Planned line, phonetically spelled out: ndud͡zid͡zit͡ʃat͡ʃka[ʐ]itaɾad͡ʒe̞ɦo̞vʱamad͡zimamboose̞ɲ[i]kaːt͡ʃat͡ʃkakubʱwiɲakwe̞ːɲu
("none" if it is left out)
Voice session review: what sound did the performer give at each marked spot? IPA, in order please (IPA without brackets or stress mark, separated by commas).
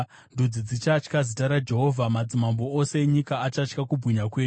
z, i